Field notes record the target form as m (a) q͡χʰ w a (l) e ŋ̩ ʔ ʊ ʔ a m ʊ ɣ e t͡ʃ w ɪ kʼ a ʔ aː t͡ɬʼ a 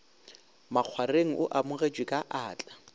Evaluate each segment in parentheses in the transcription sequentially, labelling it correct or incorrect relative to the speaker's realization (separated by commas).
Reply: correct, incorrect